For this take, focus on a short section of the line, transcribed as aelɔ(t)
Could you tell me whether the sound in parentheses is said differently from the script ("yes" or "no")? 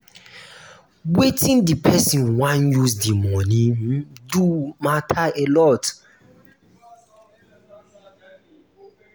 no